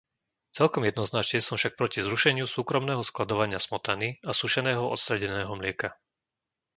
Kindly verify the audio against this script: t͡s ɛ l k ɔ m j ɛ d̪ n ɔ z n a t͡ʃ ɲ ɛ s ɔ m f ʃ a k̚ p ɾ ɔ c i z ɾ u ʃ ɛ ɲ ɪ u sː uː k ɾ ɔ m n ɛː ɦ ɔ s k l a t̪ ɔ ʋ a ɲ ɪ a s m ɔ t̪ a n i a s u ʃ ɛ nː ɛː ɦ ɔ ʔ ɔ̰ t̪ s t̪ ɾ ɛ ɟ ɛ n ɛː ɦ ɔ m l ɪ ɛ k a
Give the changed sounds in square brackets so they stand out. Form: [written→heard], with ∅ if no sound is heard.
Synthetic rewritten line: t͡s ɛ l k ɔ m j ɛ d̪ n ɔ z n a t͡ʃ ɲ ɛ s ɔ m f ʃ a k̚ p ɾ ɔ c i z ɾ u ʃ ɛ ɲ ɪ u [sː→s] uː k ɾ ɔ m n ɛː ɦ ɔ s k l a [t̪→d̪] ɔ ʋ a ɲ ɪ a s m ɔ t̪ a n i a s u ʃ ɛ [nː→n] ɛː ɦ ɔ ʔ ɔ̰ t̪ s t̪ ɾ ɛ ɟ ɛ n ɛː ɦ ɔ m l ɪ ɛ k a